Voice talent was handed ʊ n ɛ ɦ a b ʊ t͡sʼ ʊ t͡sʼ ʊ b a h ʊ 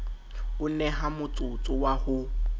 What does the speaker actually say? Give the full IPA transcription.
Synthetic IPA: ʊ n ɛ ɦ a m ʊ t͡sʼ ʊ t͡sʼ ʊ w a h ʊ

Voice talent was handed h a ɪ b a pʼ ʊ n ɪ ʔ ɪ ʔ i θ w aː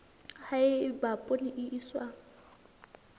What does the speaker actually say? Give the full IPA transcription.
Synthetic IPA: h a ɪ b a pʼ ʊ n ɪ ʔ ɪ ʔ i s w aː

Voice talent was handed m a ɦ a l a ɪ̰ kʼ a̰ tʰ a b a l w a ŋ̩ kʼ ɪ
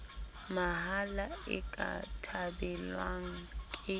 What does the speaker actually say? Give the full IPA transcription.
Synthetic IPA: m a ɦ a l a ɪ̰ kʼ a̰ tʰ a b ɛ l w a ŋ̩ kʼ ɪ

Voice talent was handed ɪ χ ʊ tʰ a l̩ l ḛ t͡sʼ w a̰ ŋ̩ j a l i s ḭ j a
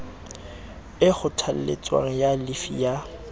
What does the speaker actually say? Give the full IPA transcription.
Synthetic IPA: ɪ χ ʊ tʰ a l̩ l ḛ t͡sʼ w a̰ ŋ̩ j a l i f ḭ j a

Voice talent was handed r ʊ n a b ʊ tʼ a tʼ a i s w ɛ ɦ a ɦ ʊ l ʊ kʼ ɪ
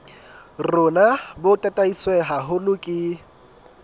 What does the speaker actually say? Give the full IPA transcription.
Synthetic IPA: r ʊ n a b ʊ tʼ a tʼ a i s w ɛ ɦ a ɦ ʊ l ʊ kʼ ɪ

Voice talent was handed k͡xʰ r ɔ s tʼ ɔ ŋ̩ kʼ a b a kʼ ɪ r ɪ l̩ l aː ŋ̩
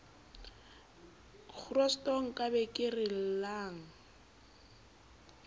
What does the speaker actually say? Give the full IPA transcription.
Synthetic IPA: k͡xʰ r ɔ s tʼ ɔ ŋ̩ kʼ a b ɛ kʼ ɪ r ɪ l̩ l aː ŋ̩

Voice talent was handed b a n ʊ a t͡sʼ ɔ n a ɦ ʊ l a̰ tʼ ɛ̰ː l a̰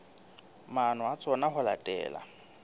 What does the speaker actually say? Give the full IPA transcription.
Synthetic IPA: m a n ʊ a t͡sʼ ɔ n a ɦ ʊ l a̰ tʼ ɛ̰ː l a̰

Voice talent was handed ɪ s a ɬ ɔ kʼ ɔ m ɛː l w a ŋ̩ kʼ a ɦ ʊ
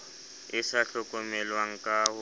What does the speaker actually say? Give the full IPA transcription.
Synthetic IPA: ɪ s a ɬ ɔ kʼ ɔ m ɛ l w a ŋ̩ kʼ a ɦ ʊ

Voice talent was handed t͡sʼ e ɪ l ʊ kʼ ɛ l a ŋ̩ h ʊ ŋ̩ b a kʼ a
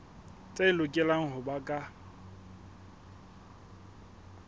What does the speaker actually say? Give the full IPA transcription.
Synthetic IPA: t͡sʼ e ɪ l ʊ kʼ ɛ l a ŋ̩ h ʊ b a kʼ a

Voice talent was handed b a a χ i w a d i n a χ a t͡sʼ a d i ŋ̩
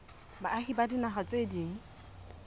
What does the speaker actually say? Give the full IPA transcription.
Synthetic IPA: b a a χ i b a d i n a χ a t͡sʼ e d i ŋ̩

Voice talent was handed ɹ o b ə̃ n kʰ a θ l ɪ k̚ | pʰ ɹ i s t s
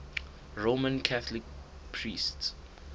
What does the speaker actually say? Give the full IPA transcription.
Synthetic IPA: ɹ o m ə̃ n kʰ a θ l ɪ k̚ | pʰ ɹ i s t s

